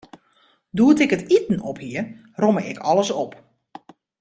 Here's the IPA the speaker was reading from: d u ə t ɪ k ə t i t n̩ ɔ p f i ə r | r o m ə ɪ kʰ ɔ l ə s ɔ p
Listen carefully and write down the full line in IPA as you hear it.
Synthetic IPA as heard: d u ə t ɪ k ə t i t n̩ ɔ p h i ə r | r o m ə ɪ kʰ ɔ l ə s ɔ p